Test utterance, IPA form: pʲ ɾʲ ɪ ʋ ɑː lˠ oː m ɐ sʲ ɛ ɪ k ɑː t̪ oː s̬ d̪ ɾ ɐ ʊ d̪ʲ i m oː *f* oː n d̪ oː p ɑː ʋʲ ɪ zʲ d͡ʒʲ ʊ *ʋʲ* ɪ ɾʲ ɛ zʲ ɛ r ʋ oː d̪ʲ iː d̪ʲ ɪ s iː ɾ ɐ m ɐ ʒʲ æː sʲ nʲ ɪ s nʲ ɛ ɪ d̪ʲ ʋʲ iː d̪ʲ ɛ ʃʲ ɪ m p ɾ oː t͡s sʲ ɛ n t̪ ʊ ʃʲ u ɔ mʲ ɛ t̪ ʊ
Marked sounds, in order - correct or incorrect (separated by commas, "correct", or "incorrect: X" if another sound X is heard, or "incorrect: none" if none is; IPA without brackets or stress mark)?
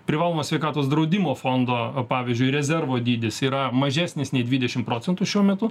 correct, incorrect: none